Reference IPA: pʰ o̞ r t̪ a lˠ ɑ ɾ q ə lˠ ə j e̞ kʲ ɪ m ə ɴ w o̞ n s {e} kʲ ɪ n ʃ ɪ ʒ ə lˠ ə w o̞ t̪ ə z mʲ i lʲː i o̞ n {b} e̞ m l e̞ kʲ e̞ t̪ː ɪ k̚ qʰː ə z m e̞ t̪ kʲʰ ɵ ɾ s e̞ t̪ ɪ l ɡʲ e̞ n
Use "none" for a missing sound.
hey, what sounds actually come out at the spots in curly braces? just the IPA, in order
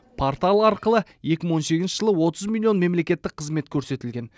e, m

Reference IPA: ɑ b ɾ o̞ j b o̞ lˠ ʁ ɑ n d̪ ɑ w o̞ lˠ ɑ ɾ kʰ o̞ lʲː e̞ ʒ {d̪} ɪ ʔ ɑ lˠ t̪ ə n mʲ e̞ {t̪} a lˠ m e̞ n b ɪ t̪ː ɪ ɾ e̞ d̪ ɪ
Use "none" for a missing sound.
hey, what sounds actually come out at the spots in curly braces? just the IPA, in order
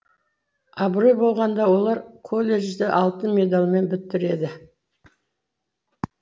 d̪, d̪

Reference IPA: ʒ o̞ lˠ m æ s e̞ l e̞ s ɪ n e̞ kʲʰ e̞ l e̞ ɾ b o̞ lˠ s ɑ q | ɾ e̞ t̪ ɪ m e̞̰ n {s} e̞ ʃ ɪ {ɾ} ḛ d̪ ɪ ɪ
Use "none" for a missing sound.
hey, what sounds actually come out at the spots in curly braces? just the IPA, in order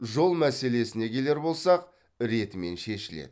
ʃ, l

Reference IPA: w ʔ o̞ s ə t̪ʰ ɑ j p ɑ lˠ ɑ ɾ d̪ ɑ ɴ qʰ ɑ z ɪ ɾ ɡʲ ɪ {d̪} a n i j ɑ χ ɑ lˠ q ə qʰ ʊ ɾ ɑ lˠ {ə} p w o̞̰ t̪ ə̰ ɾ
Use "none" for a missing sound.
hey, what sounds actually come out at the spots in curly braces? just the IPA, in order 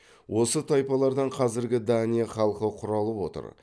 d̪, ə

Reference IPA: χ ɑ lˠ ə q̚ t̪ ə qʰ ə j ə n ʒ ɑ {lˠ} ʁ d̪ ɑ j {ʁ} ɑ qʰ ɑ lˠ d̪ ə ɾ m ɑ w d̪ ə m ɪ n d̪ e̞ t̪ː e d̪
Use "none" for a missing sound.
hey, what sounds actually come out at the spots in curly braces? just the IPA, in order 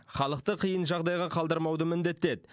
none, ʁ

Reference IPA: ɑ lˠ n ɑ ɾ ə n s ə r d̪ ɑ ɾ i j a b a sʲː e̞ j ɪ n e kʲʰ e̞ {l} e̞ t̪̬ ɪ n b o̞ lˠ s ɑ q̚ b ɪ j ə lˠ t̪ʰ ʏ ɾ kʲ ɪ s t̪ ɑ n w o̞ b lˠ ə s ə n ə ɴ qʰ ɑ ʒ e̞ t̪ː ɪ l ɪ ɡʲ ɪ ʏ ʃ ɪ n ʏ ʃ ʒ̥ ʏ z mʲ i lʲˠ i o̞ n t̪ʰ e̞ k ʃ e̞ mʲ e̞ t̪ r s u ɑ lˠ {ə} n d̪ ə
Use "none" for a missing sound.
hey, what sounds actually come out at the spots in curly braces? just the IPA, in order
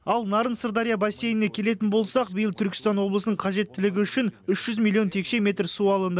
l, ə

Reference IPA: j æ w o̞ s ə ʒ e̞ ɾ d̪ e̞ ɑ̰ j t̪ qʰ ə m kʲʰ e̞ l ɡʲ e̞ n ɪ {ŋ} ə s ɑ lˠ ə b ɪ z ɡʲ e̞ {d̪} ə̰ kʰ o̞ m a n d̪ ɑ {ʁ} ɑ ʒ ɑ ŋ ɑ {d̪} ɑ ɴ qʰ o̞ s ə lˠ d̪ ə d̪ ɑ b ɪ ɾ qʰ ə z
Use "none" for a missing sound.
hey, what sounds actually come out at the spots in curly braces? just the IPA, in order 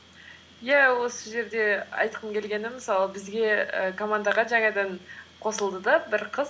m, none, ʁ, d̪

